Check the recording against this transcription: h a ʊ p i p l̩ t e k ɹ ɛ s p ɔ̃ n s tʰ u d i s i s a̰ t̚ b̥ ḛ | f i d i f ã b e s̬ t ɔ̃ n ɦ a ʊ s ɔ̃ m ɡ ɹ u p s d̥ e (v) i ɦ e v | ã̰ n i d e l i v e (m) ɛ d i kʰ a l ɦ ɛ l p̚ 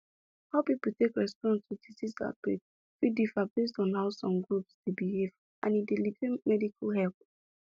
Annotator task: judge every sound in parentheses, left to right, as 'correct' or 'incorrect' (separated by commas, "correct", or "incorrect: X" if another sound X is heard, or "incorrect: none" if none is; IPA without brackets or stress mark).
incorrect: b, correct